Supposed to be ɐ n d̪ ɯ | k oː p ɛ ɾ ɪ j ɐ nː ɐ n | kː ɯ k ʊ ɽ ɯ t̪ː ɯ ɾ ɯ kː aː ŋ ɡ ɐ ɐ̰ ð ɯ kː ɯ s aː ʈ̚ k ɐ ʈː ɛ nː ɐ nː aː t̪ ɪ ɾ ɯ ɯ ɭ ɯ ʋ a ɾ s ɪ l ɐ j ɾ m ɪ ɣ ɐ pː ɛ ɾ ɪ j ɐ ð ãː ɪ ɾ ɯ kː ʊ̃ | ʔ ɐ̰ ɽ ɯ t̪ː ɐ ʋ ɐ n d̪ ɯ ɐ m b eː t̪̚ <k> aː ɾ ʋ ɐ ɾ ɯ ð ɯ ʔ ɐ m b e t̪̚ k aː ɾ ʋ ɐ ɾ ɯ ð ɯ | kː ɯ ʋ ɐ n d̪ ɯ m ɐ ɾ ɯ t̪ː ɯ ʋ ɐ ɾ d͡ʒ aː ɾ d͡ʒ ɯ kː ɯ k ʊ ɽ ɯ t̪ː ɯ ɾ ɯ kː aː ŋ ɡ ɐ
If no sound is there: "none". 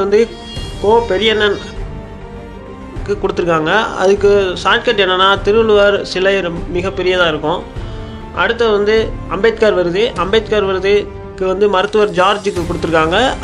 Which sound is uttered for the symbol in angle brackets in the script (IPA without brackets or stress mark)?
k